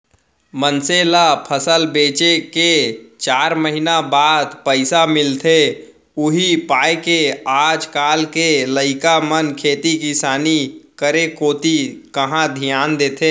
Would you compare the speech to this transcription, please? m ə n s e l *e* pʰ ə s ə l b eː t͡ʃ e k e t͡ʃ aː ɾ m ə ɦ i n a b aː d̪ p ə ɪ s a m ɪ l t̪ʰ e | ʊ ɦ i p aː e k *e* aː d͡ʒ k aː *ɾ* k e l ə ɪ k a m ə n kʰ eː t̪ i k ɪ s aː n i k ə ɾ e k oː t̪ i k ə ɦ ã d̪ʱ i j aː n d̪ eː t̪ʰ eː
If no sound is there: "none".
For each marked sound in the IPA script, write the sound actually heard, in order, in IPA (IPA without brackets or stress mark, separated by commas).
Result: a, e, l